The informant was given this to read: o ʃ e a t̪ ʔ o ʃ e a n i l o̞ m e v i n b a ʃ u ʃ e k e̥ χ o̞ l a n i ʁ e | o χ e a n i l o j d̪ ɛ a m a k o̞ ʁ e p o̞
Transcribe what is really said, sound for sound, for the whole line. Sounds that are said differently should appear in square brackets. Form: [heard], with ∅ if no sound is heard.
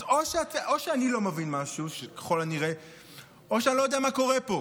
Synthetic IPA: o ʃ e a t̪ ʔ o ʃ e a n i l o̞ m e v i n [m] a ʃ u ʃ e k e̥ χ o̞ l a n i ʁ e | o [ʃ] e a n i l o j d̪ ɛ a m a k o̞ ʁ e p o̞